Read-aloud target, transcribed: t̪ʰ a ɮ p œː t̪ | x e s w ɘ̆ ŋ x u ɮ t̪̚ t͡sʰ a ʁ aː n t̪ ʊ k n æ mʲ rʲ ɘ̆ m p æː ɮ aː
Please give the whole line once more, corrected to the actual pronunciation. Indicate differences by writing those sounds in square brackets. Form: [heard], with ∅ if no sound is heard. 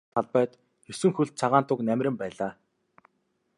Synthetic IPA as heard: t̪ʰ a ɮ p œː t̪ | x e s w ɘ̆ ŋ x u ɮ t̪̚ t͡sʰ a ʁ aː n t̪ ʊ k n æ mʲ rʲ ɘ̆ m p æː ɮ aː